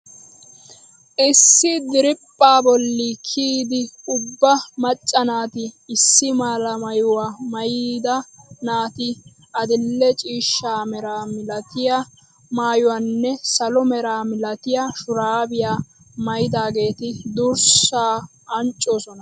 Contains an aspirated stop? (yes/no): yes